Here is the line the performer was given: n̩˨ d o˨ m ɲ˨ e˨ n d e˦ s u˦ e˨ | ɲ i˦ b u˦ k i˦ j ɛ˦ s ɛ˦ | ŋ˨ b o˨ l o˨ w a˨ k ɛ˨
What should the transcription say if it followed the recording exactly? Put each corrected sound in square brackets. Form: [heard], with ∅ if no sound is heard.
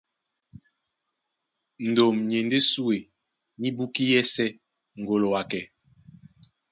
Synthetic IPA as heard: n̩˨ d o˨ m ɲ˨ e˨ n d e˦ s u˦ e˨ | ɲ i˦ b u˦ k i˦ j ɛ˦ s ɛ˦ | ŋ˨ [ɡ] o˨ l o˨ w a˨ k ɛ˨

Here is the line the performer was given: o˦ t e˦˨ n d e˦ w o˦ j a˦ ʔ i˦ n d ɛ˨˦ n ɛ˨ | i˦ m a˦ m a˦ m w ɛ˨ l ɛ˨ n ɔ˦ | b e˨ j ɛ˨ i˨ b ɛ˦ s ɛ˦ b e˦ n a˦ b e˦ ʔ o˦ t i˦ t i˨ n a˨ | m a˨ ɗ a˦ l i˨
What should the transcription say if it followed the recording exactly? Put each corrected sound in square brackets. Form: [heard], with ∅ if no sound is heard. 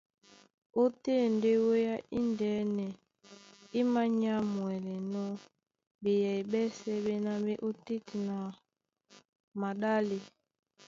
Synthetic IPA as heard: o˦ t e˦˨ n d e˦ w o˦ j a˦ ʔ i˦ n d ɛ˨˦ n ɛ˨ | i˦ m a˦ [ɲ] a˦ m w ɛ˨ l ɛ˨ n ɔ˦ | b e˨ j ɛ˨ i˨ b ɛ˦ s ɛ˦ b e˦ n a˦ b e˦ ʔ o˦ t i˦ t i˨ n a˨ | m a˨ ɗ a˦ l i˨

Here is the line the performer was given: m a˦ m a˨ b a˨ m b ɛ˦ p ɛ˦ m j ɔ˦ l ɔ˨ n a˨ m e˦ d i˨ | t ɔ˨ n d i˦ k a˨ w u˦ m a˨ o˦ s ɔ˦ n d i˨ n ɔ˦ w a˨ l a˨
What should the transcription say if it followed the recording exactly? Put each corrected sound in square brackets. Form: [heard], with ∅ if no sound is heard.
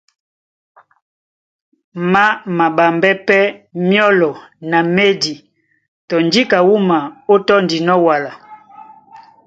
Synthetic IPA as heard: m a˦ m a˨ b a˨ m b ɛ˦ p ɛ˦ m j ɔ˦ l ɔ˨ n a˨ m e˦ d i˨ | t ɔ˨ n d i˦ k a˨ w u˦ m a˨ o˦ [t] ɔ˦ n d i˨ n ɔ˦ w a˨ l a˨

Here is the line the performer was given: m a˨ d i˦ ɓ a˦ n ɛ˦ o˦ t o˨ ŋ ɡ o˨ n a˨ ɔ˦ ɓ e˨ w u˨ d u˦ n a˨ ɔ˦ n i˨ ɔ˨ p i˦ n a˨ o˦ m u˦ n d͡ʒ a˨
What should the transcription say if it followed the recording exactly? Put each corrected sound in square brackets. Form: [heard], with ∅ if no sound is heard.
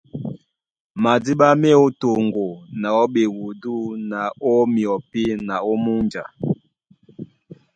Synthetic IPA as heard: m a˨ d i˦ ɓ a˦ [m] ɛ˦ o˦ t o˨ ŋ ɡ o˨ n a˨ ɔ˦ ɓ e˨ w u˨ d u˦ n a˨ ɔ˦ [m] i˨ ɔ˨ p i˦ n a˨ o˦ m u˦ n d͡ʒ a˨

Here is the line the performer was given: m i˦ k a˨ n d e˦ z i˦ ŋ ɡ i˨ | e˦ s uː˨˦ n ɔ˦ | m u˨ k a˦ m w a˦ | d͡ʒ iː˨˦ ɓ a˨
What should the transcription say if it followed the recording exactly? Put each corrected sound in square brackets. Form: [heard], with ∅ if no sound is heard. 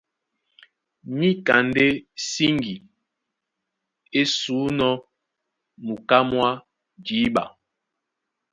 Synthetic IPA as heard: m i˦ k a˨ n d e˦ [s] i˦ ŋ ɡ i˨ | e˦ s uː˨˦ n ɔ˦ | m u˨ k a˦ m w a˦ | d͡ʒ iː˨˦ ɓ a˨

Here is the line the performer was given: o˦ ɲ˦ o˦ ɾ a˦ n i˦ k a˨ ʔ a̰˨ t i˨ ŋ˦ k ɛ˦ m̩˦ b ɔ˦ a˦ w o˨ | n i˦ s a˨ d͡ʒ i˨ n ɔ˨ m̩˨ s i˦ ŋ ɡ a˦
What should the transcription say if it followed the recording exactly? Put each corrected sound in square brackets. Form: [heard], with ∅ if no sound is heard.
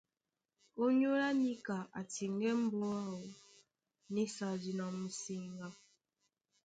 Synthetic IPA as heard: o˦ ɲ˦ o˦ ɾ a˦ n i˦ k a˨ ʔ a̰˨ t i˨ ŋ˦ [ɡ] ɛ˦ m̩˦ b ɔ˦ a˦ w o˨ | n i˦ s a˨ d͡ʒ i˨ n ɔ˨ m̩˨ s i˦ ŋ ɡ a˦

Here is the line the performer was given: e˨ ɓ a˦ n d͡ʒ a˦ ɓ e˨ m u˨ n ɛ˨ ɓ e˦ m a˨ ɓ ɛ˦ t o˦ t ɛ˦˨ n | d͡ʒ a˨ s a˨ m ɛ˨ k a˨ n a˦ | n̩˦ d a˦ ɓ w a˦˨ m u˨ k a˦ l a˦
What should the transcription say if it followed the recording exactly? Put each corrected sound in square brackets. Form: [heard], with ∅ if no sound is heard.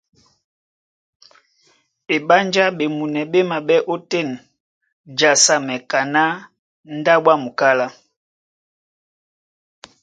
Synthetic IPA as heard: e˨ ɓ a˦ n d͡ʒ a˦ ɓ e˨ m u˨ n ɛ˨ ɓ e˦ m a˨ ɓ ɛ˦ [ʔ] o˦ t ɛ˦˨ n | d͡ʒ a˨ s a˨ m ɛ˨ k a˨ n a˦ | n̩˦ d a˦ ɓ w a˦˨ m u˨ k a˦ l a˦

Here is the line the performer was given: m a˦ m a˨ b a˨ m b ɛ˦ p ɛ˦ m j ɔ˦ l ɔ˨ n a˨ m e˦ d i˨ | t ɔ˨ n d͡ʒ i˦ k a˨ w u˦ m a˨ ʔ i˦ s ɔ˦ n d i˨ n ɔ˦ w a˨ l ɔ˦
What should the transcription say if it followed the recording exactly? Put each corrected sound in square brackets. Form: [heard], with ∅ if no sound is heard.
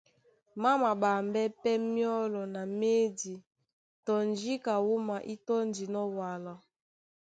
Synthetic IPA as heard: m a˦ m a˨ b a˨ m b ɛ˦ p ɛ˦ m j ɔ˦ l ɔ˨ n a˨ m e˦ d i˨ | t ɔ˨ n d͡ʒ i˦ k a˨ w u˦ m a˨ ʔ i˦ [t] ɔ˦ n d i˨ n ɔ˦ w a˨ l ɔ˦

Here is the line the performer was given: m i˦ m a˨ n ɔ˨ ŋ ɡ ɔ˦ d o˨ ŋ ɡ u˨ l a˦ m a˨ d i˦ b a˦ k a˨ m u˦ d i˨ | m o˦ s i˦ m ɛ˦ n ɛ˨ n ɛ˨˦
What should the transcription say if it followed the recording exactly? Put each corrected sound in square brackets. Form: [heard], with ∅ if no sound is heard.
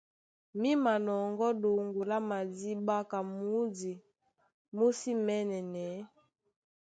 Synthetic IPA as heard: m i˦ m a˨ n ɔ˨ ŋ ɡ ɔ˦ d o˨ ŋ ɡ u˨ l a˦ m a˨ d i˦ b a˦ k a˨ m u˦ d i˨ | m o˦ s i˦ m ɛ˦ n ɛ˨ n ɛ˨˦

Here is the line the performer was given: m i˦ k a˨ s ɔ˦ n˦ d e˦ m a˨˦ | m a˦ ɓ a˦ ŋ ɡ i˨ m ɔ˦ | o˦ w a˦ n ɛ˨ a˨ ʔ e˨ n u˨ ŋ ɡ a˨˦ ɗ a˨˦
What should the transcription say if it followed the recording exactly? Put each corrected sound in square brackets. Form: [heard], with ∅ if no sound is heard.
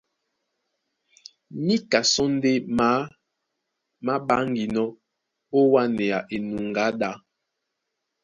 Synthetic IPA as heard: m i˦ k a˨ s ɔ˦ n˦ d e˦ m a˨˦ | m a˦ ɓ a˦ ŋ ɡ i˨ [n] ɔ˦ | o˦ w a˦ n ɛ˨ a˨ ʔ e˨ n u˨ ŋ ɡ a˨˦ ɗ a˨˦

